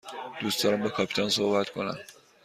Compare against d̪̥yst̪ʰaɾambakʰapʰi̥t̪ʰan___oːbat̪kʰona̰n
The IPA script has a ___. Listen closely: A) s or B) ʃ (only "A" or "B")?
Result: A